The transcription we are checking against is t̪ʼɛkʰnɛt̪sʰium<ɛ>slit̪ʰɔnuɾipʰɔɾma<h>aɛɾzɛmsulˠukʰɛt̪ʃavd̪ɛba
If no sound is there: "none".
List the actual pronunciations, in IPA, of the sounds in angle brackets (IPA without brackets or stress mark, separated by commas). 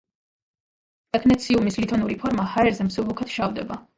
i, h